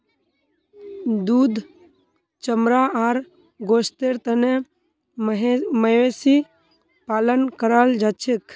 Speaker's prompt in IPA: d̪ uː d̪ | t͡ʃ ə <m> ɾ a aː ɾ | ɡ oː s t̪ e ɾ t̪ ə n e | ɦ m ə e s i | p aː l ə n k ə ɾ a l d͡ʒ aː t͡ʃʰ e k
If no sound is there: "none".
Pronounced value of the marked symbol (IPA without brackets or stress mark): m